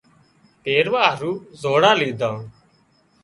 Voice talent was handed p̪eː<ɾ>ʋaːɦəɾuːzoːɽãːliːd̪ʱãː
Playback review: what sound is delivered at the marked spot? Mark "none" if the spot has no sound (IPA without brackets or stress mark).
ɾ